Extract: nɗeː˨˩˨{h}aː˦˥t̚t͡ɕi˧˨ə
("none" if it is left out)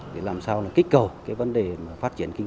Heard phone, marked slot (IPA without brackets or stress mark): f